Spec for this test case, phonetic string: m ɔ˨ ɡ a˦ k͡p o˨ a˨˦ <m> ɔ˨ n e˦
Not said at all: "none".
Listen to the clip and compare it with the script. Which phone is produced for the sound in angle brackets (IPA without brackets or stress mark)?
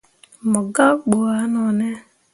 n